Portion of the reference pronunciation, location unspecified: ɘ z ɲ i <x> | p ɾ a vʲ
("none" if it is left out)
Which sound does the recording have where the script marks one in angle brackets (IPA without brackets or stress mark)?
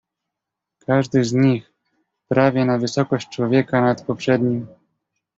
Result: x